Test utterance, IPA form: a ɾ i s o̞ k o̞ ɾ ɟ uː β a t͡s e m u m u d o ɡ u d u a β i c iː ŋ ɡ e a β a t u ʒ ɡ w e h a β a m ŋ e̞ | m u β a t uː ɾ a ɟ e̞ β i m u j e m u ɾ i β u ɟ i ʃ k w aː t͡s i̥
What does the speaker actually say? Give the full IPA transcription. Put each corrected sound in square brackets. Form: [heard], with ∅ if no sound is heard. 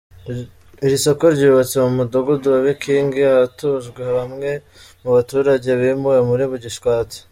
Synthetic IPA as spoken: [i] ɾ i s o̞ k o̞ ɾ ɟ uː β a t͡s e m u m u d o ɡ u d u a β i [k] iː ŋ ɡ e a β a t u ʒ ɡ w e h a β a m ŋ e̞ | m u β a t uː ɾ a ɟ e̞ β i m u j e m u ɾ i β u ɟ i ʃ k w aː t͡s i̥